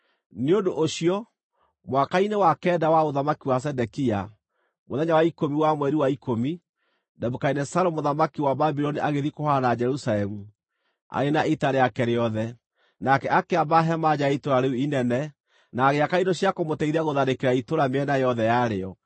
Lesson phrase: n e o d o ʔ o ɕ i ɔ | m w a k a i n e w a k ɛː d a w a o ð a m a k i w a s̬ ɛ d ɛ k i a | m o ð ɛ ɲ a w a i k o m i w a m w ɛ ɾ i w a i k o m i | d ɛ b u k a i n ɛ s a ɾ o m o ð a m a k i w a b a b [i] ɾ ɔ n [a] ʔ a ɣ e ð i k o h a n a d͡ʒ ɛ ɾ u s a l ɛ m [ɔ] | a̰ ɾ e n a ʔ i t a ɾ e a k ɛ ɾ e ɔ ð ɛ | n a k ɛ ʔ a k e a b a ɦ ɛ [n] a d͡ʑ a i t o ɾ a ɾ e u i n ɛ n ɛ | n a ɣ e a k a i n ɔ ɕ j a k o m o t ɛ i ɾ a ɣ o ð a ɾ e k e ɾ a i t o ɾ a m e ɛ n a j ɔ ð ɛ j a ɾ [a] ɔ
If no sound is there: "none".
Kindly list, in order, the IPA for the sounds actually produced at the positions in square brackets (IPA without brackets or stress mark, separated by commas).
i, i, u, m, e